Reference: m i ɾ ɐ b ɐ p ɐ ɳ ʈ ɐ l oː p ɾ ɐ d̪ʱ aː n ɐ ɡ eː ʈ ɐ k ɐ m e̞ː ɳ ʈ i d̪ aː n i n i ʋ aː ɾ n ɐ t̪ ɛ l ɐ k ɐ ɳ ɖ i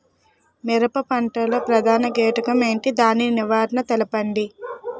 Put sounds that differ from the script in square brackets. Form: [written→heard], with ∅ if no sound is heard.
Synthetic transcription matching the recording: m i ɾ ɐ [b→p] ɐ p ɐ ɳ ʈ ɐ l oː p ɾ ɐ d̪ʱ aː n ɐ ɡ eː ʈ ɐ k ɐ m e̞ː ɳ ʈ i d̪ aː n i n i ʋ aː ɾ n ɐ t̪ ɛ l ɐ [k→p] ɐ ɳ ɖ i